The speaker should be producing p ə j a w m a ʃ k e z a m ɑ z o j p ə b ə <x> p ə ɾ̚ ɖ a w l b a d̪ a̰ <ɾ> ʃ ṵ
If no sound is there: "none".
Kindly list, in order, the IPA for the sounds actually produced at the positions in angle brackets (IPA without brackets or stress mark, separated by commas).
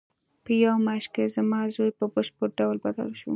ʃ, l